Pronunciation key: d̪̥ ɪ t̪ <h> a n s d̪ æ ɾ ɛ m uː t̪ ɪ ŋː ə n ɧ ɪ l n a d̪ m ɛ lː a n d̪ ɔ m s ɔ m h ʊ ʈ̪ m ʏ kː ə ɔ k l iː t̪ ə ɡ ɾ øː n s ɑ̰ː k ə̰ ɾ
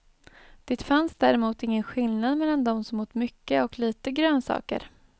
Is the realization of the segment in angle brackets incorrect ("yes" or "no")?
yes